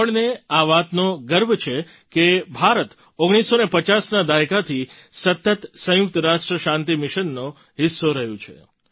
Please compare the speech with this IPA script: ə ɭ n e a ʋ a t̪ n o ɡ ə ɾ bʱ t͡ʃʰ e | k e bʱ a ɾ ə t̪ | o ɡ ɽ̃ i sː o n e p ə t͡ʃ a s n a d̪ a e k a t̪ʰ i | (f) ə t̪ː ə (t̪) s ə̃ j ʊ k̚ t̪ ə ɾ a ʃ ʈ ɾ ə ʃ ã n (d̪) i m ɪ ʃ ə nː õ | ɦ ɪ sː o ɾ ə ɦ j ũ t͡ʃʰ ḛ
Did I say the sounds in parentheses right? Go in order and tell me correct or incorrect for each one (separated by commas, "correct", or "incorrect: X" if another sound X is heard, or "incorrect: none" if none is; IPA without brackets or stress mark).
incorrect: s, correct, incorrect: t̪